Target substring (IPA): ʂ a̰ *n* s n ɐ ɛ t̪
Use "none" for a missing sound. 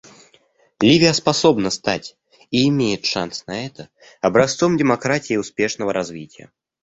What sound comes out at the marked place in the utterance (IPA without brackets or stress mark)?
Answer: n